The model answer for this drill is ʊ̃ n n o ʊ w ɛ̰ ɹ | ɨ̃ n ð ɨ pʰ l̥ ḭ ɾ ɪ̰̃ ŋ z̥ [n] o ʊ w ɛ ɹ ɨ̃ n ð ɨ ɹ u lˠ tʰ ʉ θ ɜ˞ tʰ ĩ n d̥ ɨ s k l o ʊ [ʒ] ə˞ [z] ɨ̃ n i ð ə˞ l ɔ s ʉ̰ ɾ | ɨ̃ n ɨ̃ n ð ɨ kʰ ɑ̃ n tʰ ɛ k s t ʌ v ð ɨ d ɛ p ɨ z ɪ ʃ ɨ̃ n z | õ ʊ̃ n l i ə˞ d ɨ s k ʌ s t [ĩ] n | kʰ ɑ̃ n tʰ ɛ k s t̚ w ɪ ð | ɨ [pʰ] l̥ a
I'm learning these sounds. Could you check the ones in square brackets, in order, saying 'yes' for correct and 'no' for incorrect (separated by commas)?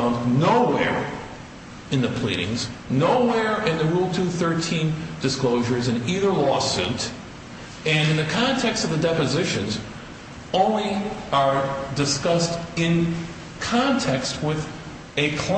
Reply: yes, yes, yes, no, no